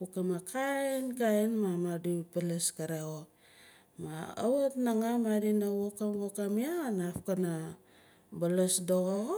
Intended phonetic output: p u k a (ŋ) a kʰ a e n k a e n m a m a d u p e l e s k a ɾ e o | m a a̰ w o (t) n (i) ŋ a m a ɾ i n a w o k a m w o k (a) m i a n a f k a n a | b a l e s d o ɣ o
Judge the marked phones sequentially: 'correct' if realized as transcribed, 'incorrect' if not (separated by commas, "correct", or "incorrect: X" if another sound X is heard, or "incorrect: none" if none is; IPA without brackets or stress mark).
incorrect: m, correct, incorrect: a, correct